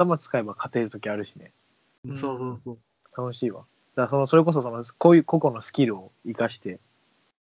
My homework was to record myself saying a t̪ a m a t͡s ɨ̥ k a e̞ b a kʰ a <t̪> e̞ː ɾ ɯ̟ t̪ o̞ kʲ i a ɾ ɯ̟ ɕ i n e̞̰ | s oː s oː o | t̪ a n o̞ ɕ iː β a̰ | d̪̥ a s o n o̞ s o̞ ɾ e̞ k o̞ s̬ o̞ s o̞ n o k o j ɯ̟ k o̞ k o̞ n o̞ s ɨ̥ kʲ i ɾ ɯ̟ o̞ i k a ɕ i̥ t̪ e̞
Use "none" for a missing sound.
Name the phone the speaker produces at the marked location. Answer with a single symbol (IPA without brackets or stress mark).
t̪